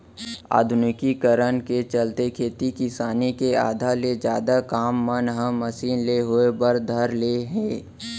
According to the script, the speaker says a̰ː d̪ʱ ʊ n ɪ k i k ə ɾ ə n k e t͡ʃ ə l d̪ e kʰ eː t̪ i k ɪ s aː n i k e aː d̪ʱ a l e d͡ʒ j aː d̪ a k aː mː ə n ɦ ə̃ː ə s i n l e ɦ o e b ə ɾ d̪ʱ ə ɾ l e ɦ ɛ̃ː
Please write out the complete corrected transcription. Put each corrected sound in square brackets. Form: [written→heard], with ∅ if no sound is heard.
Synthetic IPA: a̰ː d̪ʱ ʊ n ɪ k i k ə ɾ ə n k e t͡ʃ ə l [d̪→t̪] e kʰ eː t̪ i k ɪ s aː n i k e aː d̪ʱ a l e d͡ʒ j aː d̪ a k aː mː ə n ɦ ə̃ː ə s [i→iː] n l e ɦ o e b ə ɾ d̪ʱ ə ɾ l e ɦ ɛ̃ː